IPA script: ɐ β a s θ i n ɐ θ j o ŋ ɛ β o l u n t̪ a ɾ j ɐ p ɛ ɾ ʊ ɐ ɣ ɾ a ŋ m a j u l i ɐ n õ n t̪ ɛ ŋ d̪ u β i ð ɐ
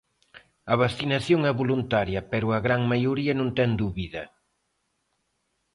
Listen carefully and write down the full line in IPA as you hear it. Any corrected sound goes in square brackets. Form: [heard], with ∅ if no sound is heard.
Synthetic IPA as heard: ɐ β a s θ i n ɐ θ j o ŋ ɛ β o l u n t̪ a ɾ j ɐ p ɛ ɾ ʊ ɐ ɣ ɾ a ŋ m a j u [ɾ] i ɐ n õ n t̪ ɛ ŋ d̪ u β i ð ɐ